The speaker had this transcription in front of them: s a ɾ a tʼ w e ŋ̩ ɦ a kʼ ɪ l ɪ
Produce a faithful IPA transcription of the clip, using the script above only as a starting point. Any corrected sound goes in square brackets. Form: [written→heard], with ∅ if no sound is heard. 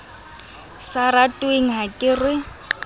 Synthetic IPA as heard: s a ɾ a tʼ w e ŋ̩ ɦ a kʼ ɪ [l→r] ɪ